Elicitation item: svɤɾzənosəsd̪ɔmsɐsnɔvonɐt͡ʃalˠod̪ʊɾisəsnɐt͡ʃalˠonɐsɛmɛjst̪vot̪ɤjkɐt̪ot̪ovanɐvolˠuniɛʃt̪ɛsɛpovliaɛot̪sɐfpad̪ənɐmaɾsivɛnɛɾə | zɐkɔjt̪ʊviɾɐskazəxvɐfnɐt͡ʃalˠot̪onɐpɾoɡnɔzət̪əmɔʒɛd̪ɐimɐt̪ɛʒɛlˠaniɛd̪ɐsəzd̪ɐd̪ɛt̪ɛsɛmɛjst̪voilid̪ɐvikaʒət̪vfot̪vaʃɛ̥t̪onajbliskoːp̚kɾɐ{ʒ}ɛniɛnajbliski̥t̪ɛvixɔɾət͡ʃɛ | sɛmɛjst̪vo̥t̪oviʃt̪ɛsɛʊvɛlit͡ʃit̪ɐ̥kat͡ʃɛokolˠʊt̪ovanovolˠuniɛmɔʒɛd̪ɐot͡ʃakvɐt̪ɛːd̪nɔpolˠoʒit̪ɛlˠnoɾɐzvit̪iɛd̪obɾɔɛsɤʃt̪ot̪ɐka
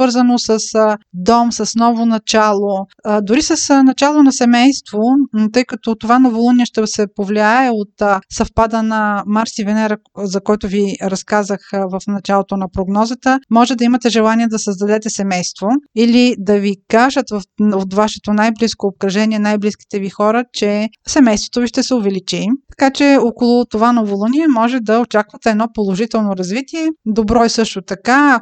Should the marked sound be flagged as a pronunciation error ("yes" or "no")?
no